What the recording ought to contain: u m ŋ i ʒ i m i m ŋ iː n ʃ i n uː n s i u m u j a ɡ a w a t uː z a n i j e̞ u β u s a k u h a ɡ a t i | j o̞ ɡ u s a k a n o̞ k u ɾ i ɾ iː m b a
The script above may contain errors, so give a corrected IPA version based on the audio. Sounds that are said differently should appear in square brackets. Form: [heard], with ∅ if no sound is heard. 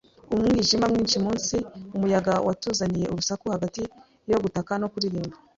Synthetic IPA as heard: u m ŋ i ʒ i m [a] m ŋ iː n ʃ i [m] uː n s i u m u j a ɡ a w a t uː z a n i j e̞ u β u s a k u h a ɡ a t i | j o̞ ɡ u [t] a k a n o̞ k u ɾ i ɾ iː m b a